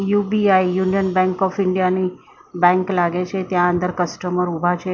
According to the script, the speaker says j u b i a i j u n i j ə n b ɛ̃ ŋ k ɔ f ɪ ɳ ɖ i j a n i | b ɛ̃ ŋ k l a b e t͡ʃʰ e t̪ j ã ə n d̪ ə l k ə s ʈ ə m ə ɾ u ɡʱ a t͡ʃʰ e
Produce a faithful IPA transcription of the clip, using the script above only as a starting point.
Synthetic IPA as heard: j u b i a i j u n i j ə n b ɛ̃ ŋ k ɔ f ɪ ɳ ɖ i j a n i | b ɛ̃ ŋ k l a ɡ e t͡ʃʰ e t̪ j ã ə n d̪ ə ɾ k ə s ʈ ə m ə ɾ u bʱ a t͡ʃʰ e